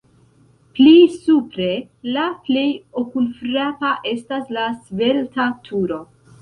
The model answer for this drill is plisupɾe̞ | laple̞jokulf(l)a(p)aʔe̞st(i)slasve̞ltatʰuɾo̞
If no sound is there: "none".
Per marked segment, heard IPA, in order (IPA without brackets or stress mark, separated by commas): ɾ, p, a